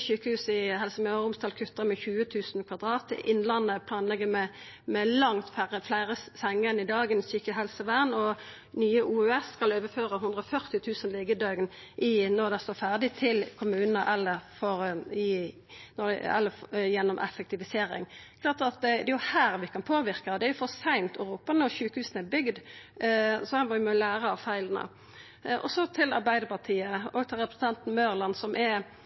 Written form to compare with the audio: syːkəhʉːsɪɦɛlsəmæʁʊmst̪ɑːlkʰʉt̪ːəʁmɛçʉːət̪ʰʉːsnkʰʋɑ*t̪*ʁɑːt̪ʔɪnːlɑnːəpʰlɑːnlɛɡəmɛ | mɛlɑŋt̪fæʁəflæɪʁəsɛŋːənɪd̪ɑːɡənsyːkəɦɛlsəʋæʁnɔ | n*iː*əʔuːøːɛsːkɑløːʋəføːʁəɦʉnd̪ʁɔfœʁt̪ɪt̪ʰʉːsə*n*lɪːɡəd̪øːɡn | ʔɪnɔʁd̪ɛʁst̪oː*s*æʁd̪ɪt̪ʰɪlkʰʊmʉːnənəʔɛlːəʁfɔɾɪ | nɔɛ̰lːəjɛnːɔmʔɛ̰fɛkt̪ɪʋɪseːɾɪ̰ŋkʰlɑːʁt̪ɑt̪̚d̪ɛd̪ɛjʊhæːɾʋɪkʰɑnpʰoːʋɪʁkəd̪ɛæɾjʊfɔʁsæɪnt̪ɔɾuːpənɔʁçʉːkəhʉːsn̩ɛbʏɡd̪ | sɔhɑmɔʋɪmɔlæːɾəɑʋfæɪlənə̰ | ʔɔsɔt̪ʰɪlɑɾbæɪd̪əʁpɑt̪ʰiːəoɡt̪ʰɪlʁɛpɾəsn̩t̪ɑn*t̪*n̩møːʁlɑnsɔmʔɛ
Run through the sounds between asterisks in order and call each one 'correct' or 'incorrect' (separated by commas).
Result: incorrect, incorrect, correct, incorrect, correct